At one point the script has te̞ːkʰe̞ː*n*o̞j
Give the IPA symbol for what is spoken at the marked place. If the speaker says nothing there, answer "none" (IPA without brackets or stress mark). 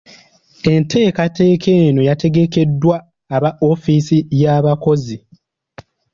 n